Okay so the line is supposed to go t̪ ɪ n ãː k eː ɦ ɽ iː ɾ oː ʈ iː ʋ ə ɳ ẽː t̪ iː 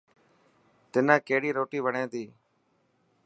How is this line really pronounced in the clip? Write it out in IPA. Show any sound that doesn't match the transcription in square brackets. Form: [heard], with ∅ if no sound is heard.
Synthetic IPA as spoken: t̪ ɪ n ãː k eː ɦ ɽ iː ɾ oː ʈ iː ʋ ə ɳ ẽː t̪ iː

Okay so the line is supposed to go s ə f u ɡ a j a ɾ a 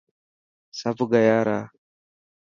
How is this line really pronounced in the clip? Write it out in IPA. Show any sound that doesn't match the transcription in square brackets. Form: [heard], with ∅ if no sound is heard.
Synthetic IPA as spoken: s [a] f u ɡ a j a ɾ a

